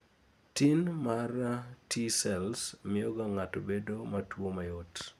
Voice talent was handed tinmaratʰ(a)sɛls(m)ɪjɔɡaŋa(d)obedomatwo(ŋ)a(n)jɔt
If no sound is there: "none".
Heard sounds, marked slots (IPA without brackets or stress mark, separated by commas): i, m, t, m, none